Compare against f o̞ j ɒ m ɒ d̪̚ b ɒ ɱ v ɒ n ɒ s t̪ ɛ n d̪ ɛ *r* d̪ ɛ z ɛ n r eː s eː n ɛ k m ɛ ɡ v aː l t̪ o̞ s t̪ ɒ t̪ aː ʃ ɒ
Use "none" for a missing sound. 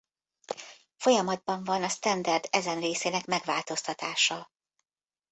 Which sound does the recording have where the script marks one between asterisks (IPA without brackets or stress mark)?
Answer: r